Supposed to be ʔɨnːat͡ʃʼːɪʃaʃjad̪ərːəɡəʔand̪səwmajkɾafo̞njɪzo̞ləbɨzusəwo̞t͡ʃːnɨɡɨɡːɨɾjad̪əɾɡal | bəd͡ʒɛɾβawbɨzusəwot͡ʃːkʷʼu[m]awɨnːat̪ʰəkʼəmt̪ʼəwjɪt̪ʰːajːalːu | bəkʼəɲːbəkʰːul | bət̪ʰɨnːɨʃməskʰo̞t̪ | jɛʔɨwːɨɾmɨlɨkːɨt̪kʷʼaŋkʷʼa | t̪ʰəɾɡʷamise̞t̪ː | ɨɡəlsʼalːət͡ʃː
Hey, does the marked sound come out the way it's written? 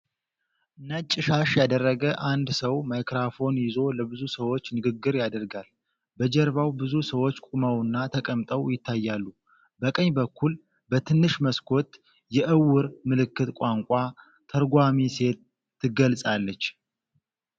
yes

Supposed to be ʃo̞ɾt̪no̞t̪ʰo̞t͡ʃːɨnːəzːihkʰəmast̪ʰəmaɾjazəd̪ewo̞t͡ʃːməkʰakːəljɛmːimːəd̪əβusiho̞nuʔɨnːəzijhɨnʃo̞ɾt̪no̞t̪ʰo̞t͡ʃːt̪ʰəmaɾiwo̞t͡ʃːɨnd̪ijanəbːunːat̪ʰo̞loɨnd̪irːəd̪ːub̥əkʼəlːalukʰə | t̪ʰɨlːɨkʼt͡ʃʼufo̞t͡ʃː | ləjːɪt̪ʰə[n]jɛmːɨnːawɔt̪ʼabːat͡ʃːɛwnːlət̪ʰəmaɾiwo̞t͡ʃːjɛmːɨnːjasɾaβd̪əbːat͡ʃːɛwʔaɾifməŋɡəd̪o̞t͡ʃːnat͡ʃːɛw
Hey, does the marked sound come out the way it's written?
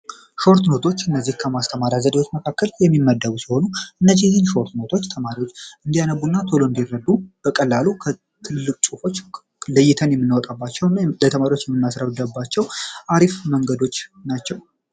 yes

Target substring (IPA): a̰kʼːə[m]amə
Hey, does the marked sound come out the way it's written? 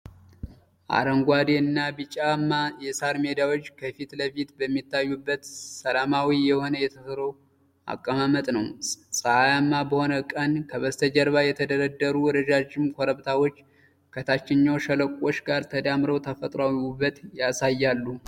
yes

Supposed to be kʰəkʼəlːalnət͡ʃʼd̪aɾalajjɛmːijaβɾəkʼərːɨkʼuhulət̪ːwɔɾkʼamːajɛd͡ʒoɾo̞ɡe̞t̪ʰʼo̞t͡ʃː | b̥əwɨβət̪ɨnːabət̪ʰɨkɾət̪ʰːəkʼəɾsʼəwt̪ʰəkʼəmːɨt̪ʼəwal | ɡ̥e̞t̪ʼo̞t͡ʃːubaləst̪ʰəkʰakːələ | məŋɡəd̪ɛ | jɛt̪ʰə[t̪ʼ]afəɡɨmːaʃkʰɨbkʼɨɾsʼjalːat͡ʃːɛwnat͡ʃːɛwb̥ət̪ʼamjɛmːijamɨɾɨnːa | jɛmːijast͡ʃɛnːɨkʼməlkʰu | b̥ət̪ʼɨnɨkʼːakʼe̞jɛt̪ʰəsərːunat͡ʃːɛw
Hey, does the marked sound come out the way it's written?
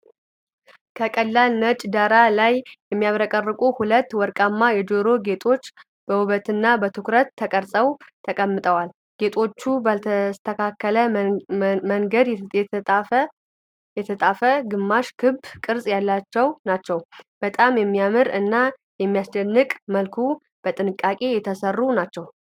yes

